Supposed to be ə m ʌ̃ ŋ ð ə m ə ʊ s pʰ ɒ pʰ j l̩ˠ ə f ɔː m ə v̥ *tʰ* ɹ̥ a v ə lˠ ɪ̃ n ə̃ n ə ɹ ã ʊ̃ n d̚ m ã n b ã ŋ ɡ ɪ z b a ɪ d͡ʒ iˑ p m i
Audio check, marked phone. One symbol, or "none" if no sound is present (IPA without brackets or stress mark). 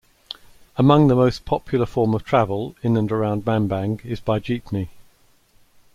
tʰ